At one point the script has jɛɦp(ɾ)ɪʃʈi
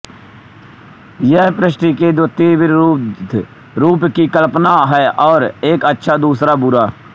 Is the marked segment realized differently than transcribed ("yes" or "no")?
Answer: no